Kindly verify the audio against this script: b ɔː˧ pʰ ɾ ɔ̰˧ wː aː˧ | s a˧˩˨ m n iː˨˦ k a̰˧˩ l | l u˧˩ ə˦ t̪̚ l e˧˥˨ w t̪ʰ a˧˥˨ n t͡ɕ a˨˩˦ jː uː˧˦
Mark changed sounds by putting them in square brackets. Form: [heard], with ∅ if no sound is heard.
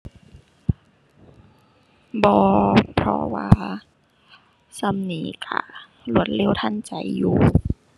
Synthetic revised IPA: b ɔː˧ pʰ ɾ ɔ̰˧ [w] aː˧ | s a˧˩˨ m n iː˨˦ k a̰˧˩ [∅] | l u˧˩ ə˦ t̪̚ l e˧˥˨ w t̪ʰ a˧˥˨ n t͡ɕ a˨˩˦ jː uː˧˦